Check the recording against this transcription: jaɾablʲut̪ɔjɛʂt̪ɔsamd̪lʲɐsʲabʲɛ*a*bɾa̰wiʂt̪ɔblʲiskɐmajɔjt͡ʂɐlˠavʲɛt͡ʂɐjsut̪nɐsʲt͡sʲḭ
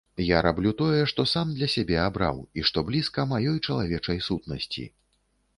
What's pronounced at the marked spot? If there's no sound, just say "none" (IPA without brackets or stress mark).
a